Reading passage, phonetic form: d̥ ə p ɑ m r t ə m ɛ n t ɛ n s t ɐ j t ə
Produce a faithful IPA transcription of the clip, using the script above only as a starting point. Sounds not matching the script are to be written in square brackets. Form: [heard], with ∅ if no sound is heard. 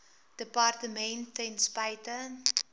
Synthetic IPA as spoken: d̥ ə p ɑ [∅] r t ə m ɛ n t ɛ n s [p] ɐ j t ə